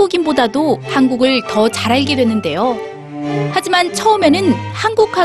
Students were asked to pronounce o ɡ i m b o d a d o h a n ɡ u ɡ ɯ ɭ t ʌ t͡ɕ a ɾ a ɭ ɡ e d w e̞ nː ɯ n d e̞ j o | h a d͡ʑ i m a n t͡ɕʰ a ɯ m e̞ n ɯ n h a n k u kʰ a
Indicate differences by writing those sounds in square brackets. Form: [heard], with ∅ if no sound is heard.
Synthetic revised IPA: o ɡ i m b o d a d o h a n ɡ u ɡ ɯ ɭ t ʌ t͡ɕ a ɾ a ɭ ɡ e d w e̞ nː ɯ n d e̞ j o | h a d͡ʑ i m a n t͡ɕʰ [ʌ] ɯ m e̞ n ɯ n h a n [ɡ] u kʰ a